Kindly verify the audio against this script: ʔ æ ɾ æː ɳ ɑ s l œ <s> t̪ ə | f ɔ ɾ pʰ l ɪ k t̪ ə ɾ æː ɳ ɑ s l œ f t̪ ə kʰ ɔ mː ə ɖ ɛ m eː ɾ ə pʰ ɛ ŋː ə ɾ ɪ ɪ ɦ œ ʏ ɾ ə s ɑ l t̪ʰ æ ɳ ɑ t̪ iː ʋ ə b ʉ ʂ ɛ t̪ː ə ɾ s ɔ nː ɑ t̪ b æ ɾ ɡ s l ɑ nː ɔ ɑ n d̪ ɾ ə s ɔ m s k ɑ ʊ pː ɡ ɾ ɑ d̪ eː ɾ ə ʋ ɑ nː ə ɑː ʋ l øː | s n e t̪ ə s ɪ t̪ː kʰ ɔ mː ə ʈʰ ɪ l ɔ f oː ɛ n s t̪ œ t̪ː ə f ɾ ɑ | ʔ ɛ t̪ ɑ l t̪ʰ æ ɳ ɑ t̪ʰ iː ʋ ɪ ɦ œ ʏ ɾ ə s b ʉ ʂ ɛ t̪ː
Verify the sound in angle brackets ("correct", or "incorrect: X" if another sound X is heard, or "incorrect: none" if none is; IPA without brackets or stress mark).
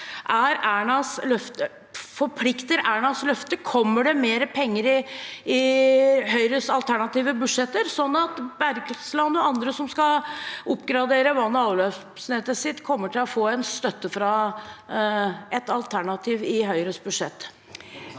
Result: incorrect: f